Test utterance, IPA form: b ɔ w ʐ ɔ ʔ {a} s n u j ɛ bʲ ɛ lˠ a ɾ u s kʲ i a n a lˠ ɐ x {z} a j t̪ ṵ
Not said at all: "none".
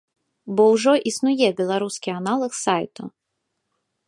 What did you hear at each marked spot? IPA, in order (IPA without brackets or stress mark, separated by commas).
i, s